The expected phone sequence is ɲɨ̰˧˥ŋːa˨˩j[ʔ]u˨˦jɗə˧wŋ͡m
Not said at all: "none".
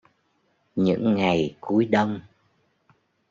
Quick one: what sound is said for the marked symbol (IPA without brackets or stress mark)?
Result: k